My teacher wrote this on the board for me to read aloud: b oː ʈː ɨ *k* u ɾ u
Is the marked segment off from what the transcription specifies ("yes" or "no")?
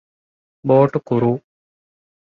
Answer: no